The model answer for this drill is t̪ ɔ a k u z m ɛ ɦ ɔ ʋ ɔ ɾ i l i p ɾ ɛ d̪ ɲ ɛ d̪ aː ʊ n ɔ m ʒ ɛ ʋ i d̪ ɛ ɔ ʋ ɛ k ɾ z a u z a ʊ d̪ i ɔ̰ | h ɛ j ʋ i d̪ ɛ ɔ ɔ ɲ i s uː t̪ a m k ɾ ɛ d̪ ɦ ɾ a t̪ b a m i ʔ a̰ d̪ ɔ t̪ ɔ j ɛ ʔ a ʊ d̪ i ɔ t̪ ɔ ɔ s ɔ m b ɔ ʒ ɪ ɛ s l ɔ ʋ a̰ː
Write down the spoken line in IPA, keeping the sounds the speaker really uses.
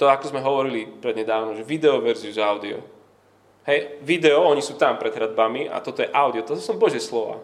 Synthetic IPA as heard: t̪ ɔ a k ɔ z m ɛ ɦ ɔ ʋ ɔ ɾ i l i p ɾ ɛ d̪ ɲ ɛ d̪ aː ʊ n ɔ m ʒ ɛ ʋ i d̪ ɛ ɔ ʋ ɛ ɾ z i u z a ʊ d̪ i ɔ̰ | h ɛ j ʋ i d̪ ɛ ɔ ɔ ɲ i s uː t̪ a m p ɾ ɛ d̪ ɦ ɾ a d̪ b a m i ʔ a̰ t̪ ɔ t̪ ɔ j ɛ ʔ a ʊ d̪ i ɔ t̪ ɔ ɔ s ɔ m b ɔ ʒ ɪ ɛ s l ɔ ʋ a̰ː